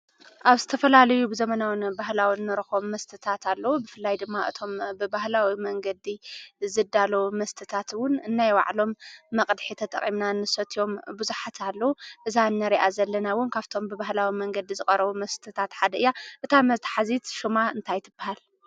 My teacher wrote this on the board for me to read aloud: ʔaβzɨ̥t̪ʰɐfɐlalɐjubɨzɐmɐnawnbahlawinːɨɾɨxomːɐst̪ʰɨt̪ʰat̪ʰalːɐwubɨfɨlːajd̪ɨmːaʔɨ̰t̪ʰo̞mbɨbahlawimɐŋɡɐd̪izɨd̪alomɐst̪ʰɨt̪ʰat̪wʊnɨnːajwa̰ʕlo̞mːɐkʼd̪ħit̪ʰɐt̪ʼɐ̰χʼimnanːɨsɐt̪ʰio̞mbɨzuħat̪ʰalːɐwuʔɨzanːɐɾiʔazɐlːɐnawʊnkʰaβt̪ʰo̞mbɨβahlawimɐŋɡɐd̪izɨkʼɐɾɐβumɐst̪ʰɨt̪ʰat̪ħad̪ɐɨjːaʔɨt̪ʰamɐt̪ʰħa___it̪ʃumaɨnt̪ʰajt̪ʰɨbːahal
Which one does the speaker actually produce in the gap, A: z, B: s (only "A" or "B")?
A